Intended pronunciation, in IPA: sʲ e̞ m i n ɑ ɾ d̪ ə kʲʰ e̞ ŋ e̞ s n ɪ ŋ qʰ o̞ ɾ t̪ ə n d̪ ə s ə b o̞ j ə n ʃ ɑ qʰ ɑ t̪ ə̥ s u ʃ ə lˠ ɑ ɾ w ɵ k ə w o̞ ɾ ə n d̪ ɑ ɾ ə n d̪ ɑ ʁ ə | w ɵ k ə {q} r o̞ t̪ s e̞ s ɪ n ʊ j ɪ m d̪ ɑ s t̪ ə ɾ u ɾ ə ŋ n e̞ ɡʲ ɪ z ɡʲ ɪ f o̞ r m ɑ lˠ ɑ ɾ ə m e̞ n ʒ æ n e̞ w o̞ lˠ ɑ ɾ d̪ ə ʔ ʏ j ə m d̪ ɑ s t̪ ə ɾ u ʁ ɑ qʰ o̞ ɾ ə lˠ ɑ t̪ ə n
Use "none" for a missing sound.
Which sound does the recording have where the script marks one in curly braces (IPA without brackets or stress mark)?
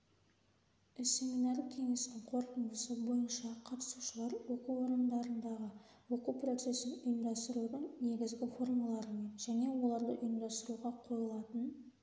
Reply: p